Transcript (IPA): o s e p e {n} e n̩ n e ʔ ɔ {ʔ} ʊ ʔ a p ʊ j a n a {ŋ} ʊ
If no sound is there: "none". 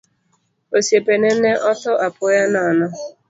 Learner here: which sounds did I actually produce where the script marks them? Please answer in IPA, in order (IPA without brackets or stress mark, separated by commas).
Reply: n, t, n